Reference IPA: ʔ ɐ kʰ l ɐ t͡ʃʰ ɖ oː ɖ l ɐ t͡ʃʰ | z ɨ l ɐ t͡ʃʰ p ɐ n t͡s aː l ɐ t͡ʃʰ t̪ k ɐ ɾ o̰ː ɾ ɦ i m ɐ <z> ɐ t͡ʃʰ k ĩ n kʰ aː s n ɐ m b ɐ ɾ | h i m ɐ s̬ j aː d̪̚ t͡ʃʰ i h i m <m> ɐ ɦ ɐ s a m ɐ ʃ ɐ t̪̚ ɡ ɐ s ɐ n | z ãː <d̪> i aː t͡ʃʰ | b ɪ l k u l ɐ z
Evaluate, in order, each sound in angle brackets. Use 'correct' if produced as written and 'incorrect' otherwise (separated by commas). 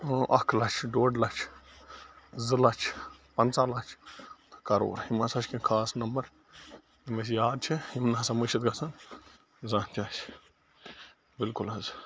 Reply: incorrect, incorrect, incorrect